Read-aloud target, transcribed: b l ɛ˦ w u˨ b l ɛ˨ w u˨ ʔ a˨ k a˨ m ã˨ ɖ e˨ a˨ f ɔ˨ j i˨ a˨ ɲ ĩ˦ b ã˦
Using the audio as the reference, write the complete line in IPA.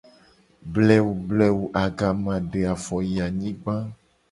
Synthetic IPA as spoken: b l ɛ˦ w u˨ b l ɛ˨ w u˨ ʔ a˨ ɡ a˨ m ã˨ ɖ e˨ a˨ f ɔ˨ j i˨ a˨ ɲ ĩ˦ ɡ͡b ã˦